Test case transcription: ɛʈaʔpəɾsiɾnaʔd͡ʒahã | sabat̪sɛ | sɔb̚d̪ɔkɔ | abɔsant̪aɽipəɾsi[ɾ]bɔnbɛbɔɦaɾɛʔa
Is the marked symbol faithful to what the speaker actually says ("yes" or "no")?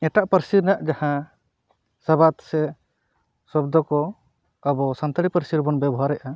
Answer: yes